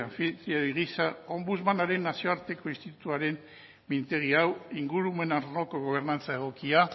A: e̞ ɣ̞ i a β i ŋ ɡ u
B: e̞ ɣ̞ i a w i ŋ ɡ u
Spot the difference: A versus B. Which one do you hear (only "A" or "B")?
B